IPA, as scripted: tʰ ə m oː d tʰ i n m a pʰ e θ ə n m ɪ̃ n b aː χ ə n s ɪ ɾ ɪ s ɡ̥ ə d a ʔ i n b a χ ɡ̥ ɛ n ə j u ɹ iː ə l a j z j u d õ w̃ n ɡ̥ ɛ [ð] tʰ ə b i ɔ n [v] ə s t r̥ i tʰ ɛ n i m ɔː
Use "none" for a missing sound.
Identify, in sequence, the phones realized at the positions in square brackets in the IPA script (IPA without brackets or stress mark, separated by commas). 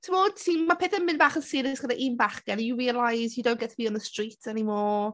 none, ð